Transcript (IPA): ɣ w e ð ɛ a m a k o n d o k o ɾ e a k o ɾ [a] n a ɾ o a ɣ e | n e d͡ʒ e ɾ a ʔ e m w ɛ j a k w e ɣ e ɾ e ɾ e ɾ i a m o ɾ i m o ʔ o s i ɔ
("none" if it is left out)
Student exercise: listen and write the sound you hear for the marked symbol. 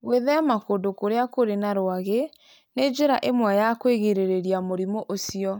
e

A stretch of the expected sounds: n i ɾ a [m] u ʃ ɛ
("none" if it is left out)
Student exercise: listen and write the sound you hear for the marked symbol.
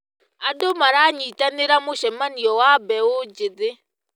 m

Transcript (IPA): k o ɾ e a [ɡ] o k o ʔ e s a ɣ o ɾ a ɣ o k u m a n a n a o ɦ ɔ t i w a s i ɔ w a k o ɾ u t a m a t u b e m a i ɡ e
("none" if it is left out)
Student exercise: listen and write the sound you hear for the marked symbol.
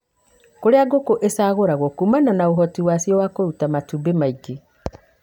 ɡ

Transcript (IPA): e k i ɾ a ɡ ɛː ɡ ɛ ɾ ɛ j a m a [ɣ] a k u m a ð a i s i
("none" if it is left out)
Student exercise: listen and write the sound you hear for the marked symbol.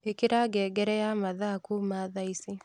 ð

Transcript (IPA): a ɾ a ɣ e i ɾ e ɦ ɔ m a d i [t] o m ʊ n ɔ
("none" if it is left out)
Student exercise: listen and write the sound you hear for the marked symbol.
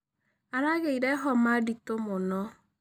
t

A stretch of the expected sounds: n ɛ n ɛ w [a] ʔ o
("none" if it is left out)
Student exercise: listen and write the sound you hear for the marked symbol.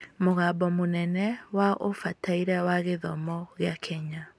a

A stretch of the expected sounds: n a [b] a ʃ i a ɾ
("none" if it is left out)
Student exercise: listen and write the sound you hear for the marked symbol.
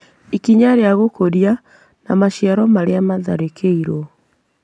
m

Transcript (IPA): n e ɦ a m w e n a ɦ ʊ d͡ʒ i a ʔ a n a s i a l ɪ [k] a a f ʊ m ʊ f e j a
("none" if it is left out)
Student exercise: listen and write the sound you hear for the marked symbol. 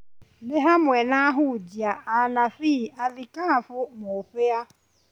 k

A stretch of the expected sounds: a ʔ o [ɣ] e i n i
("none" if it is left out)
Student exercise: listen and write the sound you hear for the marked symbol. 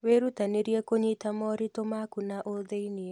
ð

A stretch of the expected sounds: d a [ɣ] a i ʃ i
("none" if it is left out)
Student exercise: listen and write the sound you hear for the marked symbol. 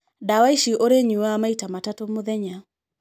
w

